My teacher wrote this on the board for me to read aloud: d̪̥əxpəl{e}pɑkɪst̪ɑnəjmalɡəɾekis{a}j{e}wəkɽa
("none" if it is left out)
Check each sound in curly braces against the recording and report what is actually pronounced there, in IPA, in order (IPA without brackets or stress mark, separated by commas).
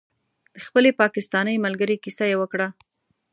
e, a, e